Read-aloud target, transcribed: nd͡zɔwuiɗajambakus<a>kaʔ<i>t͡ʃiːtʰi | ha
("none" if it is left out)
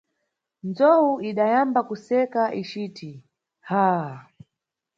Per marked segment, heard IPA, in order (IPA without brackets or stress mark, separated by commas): ɛ, i